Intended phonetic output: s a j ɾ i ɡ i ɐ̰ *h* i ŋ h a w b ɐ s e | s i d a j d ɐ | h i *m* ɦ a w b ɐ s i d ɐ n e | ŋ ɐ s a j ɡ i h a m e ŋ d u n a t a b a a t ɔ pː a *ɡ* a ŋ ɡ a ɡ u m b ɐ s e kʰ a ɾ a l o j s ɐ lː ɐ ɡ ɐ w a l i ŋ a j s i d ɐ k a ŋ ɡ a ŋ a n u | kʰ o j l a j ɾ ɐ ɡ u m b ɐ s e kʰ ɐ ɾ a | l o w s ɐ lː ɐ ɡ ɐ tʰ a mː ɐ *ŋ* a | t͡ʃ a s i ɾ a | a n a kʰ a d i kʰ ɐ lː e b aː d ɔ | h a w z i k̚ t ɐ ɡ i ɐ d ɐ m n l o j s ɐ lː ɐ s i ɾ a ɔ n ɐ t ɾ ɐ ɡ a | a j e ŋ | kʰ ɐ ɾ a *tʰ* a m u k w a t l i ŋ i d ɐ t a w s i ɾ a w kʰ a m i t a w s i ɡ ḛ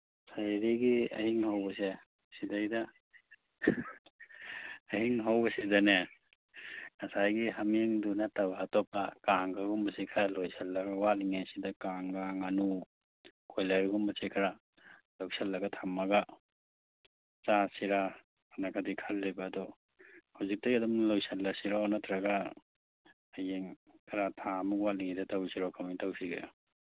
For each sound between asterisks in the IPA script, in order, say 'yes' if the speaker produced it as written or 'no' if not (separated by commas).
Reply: yes, no, no, no, yes